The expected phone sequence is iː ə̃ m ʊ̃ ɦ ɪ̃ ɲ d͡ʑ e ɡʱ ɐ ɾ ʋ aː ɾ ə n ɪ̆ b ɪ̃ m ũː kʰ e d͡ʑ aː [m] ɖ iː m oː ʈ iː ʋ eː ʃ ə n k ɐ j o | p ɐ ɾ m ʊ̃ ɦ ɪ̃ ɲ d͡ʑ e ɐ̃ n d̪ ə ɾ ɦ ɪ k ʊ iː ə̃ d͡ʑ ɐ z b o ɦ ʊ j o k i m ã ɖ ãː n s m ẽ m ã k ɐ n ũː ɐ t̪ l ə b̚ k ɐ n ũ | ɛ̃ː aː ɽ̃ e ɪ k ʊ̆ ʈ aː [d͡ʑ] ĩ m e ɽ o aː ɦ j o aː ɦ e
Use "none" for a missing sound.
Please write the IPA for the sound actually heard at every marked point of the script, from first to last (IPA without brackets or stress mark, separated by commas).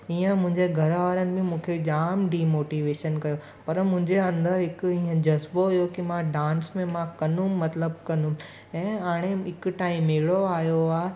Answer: m, none